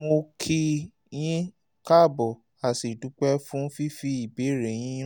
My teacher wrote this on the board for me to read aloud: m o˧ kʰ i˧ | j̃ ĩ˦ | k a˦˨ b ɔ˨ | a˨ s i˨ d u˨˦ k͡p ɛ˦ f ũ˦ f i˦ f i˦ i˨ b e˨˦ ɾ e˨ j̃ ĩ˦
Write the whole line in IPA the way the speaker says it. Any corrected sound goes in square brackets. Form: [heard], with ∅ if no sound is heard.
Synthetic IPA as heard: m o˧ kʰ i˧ | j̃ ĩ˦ | k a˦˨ b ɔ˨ | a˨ s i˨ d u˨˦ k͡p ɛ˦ f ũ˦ f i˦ f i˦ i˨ b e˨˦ ɾ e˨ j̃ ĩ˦